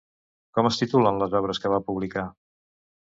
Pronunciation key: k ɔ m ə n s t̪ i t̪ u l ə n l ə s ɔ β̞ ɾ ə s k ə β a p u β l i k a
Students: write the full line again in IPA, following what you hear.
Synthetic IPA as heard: k ɔ m ə s t̪ i t̪ u l ə n l ə z ɔ β̞ ɾ ə s k ə β a p u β l i k a

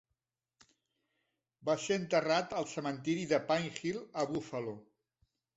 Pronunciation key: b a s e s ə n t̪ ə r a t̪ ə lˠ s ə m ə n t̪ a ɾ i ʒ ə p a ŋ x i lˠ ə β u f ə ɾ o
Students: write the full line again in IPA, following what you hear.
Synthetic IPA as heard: b a s e ə n t̪ ə r a t̪ ə lˠ s ə m ə n t̪ i ɾ i ð ə p a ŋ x i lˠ ə β u f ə l o

